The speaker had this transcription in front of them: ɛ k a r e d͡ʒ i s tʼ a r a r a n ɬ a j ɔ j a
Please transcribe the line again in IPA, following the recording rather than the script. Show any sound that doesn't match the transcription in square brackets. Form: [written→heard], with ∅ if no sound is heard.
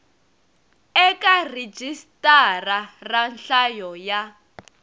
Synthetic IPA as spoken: ɛ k a r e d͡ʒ i s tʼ a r a r a n ɬ a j ɔ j a